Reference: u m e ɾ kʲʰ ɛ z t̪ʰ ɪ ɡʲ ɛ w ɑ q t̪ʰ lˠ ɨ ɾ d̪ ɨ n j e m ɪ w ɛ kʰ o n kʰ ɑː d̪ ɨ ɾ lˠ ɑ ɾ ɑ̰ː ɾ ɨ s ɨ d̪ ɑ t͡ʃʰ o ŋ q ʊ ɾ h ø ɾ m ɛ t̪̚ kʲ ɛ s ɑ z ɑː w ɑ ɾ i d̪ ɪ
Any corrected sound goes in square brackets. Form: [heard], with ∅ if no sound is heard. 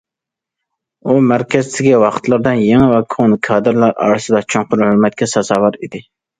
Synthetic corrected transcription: u m [æ] ɾ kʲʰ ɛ z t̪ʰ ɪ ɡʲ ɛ w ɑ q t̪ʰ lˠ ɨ ɾ d̪ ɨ n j e [ŋ] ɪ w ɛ kʰ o n kʰ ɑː d̪ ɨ ɾ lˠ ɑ ɾ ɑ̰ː ɾ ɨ s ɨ d̪ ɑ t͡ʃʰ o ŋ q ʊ ɾ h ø ɾ m ɛ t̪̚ kʲ ɛ s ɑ z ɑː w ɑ ɾ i d̪ ɪ